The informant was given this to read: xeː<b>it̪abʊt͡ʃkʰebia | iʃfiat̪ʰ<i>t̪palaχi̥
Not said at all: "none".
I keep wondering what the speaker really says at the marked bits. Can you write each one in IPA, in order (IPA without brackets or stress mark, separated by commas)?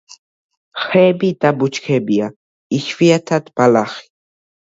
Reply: b, a